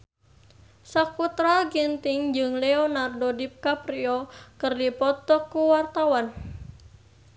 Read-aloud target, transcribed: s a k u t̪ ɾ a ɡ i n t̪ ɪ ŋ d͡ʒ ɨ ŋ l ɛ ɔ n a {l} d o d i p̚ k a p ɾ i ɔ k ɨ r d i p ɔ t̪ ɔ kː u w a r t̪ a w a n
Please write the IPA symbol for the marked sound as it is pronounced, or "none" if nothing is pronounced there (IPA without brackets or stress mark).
r